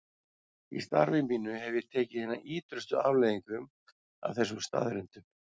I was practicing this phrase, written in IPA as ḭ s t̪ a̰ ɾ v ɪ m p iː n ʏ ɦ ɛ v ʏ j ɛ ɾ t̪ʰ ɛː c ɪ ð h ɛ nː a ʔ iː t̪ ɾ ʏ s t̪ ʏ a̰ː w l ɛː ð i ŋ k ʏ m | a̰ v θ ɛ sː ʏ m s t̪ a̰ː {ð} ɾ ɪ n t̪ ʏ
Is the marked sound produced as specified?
yes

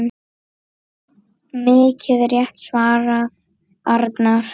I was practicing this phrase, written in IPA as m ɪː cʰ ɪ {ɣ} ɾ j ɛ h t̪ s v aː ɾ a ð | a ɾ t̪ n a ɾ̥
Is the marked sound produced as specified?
no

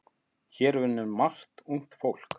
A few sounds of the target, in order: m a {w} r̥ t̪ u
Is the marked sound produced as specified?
no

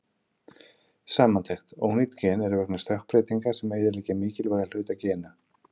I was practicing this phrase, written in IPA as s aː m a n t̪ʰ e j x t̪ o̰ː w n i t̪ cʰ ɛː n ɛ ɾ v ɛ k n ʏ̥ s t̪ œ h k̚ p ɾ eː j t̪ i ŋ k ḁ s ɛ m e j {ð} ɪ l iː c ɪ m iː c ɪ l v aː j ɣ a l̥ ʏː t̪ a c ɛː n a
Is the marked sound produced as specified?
yes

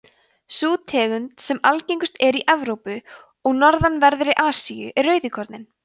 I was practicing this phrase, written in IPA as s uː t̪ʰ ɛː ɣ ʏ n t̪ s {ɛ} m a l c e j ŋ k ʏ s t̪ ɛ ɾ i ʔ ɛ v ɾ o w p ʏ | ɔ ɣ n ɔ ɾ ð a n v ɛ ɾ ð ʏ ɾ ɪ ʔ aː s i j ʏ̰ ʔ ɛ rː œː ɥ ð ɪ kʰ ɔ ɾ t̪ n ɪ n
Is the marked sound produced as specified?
yes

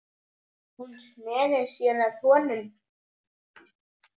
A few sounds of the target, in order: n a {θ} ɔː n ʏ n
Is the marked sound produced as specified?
yes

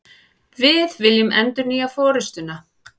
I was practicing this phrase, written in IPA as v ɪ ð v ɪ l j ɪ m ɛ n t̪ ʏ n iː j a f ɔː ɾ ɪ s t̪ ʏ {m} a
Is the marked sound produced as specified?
no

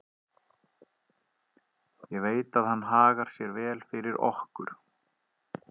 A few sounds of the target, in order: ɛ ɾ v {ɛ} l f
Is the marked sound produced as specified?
no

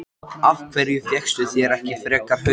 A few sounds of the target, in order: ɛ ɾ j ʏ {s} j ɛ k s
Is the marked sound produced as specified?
no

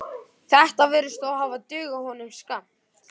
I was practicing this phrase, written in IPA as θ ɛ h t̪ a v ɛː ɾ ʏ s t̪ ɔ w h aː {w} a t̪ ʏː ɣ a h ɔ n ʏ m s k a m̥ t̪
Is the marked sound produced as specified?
no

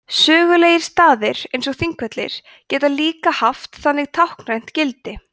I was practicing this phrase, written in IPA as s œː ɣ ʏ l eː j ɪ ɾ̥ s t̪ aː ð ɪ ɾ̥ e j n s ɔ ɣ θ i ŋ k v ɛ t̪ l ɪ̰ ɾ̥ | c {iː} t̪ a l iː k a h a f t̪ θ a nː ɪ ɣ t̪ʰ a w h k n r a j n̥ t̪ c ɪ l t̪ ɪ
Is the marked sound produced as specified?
no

